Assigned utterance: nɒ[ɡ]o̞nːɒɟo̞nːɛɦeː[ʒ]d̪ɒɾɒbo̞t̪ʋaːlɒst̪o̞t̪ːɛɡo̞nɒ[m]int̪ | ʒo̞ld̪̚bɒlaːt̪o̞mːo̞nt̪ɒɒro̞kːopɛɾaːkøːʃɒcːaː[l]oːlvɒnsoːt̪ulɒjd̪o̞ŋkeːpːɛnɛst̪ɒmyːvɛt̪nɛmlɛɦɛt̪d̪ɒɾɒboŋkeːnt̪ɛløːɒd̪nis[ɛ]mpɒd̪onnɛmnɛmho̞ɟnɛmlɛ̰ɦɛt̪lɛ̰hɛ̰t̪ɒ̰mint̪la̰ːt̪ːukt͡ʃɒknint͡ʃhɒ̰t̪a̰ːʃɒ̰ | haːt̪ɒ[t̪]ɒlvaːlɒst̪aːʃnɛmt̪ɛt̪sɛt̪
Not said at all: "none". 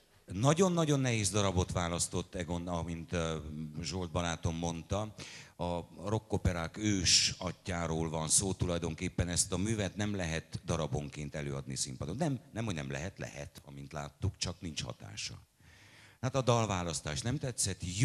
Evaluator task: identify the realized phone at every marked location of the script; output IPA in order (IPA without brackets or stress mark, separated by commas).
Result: ɟ, z, m, ɾ, i, d̪